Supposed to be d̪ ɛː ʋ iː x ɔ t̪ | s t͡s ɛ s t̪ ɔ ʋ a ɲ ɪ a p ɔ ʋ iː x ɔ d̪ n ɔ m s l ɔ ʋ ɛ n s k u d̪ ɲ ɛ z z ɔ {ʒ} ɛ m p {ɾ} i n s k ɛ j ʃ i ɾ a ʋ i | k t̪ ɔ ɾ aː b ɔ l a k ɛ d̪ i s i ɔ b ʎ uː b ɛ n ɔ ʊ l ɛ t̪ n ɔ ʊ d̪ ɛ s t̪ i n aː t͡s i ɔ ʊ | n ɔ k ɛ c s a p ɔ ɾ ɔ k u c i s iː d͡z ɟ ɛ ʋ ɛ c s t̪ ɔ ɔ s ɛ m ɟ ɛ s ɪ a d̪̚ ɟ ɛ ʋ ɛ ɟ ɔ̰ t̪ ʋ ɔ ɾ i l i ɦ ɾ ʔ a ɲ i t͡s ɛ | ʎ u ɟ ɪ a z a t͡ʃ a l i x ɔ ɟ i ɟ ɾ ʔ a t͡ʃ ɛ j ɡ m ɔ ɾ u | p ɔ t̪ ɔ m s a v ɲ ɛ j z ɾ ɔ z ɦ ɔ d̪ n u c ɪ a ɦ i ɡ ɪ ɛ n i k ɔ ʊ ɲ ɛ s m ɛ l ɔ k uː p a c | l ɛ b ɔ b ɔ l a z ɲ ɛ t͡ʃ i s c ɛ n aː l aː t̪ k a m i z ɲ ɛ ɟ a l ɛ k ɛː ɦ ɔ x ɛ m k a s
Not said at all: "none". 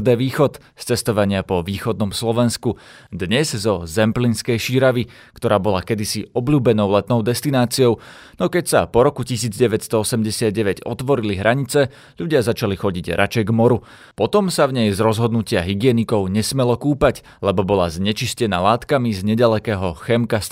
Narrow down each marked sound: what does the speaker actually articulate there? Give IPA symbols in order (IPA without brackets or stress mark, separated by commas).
z, l